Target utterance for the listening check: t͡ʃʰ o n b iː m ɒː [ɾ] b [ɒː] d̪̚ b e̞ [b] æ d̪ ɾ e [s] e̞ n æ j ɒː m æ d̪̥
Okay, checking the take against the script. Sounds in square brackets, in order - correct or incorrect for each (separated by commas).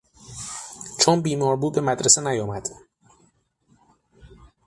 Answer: correct, incorrect, incorrect, correct